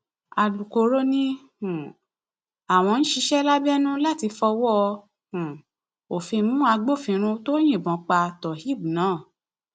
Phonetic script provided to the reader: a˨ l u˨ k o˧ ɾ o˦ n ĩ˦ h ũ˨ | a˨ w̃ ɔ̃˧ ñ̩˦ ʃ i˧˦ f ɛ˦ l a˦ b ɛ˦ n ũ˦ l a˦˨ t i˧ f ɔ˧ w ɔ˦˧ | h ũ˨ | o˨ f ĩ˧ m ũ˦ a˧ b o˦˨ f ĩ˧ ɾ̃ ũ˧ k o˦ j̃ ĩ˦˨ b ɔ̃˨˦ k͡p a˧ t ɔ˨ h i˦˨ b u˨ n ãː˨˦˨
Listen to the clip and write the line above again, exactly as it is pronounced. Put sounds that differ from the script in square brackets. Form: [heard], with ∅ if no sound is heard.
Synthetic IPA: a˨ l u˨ k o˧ ɾ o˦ n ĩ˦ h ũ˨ | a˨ w̃ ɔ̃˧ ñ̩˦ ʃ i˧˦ [ʃ] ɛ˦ l a˦ b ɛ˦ n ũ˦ l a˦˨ t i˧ f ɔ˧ w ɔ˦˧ | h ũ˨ | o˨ f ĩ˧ m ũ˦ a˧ [ɡ͡b] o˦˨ f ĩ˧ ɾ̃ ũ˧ [t] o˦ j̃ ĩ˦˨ b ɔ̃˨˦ k͡p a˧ t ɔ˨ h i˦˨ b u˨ n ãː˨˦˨